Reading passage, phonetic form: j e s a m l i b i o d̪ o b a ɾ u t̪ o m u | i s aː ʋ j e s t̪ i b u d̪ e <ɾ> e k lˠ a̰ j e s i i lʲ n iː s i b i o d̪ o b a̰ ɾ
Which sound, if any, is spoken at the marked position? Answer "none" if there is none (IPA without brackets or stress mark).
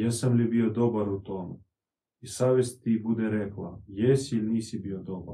ɾ